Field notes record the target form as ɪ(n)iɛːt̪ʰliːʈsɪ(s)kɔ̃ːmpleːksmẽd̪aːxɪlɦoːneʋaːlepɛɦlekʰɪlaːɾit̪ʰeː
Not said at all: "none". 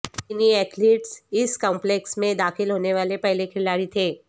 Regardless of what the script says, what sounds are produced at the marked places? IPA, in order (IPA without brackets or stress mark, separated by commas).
n, s